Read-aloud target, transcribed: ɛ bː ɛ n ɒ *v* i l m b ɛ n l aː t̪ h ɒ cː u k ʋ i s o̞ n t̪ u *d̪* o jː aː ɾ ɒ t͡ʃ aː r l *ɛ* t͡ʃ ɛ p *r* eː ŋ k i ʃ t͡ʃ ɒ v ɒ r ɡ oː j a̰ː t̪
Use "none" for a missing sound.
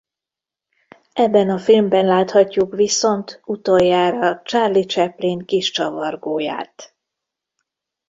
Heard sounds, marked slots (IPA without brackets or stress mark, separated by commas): f, t̪, i, l